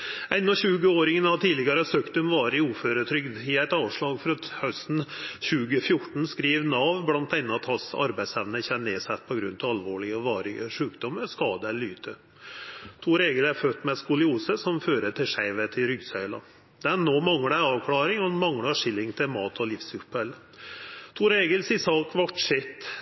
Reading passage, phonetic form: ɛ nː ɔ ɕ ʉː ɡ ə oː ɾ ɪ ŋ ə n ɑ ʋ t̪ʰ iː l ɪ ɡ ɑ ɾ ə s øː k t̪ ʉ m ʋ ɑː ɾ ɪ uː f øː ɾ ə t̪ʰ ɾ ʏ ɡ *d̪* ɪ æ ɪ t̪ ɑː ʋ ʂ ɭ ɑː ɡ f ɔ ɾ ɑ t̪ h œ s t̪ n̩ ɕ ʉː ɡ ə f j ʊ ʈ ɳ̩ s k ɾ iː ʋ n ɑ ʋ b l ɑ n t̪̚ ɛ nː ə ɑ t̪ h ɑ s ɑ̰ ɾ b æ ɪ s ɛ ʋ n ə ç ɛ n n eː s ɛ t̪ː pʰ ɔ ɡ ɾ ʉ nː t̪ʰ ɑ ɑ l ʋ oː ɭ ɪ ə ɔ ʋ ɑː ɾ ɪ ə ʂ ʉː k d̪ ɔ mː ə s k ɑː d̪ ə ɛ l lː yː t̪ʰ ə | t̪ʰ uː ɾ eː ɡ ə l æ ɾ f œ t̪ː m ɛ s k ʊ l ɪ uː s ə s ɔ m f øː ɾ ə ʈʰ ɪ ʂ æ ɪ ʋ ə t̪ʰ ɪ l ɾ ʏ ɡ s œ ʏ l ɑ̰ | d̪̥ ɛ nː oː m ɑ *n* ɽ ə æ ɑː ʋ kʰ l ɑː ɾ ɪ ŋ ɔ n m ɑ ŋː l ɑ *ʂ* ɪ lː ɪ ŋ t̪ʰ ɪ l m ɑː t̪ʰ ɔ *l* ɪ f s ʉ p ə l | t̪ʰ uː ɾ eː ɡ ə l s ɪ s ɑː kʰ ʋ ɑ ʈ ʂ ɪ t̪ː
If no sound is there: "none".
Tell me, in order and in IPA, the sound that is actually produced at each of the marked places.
d̪, ŋ, ʂ, l

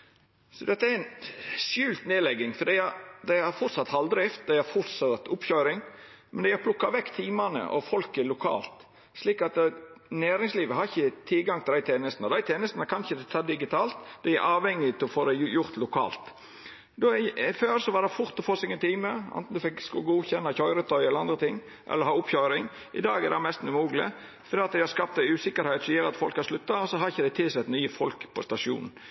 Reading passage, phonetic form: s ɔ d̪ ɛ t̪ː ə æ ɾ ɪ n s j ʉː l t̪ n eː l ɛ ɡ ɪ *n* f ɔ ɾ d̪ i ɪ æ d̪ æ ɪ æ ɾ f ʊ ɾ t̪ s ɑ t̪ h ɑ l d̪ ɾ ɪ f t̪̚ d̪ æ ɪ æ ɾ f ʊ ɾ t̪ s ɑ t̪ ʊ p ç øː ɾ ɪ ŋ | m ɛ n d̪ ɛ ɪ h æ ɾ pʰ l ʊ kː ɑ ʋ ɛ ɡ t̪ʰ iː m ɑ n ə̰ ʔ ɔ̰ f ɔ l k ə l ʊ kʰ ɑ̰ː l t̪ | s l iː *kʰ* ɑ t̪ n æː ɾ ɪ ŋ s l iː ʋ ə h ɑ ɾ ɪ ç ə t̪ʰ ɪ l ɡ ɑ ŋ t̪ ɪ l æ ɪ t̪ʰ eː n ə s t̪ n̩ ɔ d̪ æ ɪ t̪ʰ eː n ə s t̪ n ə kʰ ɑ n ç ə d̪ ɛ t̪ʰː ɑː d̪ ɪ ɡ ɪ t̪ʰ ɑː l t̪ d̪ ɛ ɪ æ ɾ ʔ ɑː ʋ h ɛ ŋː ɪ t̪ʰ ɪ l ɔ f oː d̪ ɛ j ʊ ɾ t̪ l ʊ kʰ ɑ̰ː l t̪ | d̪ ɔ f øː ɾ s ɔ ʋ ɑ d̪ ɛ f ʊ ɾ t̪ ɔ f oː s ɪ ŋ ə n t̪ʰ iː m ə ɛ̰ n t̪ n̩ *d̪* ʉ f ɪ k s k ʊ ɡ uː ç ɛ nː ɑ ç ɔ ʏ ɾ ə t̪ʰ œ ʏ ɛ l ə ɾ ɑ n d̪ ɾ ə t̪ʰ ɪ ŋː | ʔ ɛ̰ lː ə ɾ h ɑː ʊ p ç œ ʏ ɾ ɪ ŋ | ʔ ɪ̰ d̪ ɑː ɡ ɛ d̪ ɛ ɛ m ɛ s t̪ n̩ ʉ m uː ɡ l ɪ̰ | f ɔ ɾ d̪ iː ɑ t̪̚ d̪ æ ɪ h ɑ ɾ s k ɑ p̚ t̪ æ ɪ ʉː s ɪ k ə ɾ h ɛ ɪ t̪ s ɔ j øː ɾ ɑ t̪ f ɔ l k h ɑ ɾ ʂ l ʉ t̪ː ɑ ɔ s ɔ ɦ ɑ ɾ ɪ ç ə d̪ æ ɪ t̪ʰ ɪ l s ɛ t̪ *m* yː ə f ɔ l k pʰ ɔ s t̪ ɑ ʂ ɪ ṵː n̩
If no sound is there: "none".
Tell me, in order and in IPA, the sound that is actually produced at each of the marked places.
ŋ, k, d̪, n

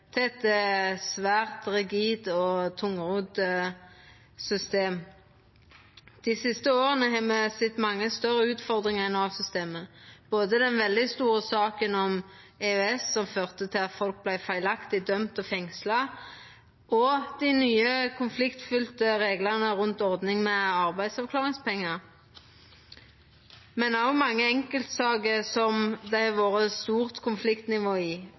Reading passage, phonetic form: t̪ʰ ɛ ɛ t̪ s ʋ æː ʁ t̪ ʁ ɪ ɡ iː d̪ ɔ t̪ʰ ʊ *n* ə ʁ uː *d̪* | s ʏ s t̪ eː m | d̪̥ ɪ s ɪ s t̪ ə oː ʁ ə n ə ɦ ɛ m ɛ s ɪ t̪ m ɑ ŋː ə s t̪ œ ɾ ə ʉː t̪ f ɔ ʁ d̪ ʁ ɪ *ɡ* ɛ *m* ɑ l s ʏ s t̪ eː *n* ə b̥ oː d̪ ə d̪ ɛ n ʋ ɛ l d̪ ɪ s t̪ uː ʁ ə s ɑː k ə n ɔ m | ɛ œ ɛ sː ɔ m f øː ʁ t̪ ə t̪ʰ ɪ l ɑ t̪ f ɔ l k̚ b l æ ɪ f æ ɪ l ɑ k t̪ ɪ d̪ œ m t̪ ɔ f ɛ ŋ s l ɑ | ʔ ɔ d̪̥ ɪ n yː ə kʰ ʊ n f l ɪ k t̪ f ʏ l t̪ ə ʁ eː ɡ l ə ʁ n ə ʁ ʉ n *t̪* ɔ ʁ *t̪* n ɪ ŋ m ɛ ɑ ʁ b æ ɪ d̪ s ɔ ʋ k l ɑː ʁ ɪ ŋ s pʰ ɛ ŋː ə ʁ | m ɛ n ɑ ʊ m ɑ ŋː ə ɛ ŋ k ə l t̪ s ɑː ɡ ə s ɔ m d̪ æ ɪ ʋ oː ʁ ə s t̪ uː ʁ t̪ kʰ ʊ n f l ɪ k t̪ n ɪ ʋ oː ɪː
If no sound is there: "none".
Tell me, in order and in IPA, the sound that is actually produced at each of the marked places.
ŋ, d̪, ŋ, n, m, t̪, d̪

